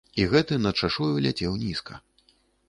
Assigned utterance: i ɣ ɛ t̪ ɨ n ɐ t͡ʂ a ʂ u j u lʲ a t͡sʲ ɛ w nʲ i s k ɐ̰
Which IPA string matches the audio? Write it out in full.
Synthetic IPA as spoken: i ɣ ɛ t̪ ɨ n ɐ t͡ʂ a ʂ u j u lʲ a t͡sʲ ɛ w nʲ i s k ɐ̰